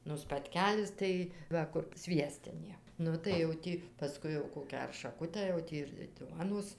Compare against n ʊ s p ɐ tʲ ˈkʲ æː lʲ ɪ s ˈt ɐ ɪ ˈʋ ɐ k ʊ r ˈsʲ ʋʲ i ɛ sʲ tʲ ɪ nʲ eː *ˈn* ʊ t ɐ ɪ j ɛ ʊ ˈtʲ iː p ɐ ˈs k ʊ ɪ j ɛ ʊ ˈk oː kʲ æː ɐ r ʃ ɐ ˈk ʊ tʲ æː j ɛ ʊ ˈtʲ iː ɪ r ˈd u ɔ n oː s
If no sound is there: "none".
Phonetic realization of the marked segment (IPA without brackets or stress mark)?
n